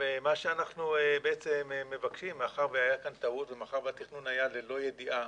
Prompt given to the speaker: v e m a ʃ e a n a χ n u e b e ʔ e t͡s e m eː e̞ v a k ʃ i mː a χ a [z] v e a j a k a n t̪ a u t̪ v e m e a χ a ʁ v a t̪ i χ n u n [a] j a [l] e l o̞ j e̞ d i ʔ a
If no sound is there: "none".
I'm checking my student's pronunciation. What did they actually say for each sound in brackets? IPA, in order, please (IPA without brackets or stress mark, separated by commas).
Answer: ʁ, a, l